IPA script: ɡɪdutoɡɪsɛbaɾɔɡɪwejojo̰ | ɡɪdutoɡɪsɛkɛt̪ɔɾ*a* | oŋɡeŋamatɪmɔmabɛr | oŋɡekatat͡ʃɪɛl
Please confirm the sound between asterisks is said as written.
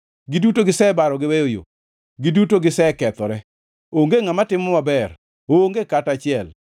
no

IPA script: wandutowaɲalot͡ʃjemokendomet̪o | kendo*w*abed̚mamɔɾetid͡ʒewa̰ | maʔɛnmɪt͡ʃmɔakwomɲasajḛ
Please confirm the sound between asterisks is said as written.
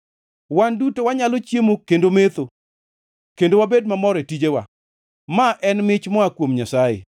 yes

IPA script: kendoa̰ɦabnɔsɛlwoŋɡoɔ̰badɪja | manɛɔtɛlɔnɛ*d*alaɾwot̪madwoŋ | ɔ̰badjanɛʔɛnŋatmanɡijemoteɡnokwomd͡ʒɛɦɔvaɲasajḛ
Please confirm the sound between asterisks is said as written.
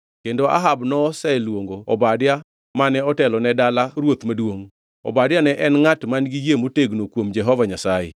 yes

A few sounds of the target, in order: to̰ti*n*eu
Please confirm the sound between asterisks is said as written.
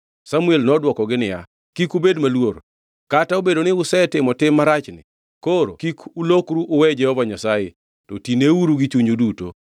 yes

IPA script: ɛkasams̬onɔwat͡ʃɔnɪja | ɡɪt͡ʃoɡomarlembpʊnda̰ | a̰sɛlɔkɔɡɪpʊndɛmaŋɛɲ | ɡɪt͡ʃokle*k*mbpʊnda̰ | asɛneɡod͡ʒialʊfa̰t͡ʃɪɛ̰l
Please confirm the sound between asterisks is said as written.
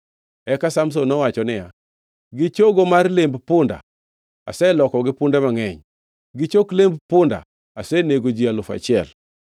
no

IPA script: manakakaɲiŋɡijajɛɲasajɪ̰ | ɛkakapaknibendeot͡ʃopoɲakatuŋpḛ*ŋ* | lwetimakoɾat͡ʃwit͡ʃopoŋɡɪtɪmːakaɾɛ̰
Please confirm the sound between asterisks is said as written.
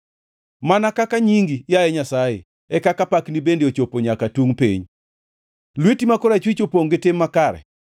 no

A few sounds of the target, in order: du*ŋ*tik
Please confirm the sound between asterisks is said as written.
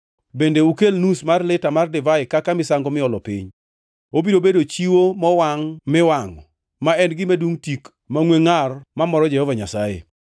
yes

